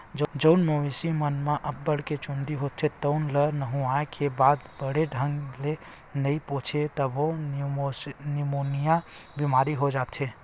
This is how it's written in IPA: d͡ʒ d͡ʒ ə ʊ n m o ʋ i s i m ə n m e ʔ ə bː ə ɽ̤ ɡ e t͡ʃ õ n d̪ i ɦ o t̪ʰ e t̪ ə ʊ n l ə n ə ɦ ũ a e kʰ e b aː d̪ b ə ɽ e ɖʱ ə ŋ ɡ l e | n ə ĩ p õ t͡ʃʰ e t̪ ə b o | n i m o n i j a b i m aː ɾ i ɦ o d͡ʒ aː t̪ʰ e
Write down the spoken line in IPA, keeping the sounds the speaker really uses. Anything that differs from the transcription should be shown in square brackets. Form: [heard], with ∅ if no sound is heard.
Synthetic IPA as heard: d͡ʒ d͡ʒ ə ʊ n m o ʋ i s i m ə n m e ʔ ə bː ə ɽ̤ [k] e t͡ʃ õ n d̪ i ɦ o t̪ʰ e t̪ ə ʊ n l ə n ə ɦ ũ a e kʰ e b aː d̪ b ə ɽ e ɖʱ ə ŋ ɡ l e | n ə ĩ p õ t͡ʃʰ e t̪ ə b o | n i m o n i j a b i m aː ɾ i ɦ o d͡ʒ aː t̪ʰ e